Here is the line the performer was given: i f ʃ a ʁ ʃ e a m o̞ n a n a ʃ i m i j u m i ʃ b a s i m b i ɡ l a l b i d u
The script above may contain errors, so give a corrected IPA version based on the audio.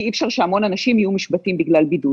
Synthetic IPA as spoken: i f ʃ a ʁ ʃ e a m o̞ n a n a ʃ i m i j u m i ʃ b a t i m b i ɡ l a l b i d u